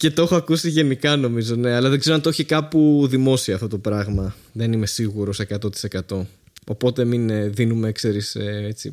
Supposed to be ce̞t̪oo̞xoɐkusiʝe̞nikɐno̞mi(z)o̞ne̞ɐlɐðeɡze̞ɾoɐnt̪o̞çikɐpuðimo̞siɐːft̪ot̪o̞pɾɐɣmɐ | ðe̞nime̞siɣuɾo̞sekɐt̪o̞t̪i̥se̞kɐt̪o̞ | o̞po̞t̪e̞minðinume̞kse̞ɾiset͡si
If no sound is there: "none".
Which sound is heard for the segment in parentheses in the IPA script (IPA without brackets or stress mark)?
z